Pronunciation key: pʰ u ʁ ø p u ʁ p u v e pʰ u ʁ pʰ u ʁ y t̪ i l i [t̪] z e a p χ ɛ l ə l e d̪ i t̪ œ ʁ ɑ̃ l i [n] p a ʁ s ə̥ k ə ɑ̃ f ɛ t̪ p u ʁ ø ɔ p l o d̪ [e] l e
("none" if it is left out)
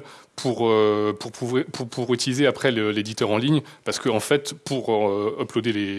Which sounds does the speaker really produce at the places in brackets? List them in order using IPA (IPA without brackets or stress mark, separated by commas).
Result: none, ɲ, e